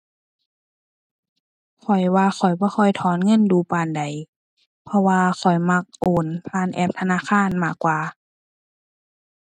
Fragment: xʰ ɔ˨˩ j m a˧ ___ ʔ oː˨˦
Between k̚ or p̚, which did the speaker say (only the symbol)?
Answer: k̚